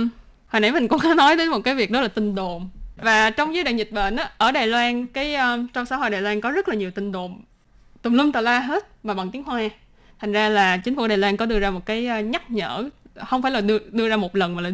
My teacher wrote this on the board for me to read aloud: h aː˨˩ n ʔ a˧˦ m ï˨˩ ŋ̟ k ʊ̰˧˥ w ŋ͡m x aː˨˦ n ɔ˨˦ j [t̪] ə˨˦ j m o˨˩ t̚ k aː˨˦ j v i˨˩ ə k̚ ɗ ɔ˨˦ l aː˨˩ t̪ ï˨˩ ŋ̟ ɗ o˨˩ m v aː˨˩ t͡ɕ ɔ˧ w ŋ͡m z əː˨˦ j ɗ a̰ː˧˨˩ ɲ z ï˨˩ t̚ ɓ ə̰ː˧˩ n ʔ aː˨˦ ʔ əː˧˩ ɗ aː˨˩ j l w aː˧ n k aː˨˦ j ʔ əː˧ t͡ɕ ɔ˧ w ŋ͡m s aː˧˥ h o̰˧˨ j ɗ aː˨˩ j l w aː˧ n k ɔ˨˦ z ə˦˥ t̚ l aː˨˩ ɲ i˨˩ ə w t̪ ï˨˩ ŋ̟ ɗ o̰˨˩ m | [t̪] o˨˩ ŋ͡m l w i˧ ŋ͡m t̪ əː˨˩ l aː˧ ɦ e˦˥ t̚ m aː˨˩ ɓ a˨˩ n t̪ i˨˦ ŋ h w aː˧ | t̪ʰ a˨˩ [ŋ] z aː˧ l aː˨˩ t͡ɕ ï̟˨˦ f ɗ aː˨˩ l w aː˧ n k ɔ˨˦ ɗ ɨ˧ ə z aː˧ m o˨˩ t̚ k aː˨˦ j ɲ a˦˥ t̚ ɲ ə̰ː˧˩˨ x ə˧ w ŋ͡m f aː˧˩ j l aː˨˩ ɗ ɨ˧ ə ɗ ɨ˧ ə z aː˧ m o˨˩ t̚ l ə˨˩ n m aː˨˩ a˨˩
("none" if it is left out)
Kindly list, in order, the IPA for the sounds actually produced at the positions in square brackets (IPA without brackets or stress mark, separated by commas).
t̪, t̪, ŋ